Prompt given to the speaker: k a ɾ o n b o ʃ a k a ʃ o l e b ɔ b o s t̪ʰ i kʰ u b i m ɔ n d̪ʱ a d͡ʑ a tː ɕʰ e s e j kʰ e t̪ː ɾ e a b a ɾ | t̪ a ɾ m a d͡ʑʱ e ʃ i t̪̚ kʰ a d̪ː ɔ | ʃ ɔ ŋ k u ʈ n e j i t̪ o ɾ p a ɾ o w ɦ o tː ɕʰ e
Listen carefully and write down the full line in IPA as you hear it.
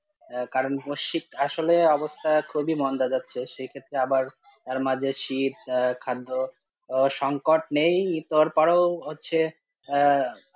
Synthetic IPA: k a ɾ o n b o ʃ i k a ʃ o l e ɔ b o s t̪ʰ a kʰ u b i m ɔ n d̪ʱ a d͡ʑ a tː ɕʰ e ʃ e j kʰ e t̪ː ɾ e a b a ɾ | t̪ a ɾ m a d͡ʑʱ e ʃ i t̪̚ kʰ a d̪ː o | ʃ ɔ ŋ k o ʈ n e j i t̪ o ɾ p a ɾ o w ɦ o tː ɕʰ e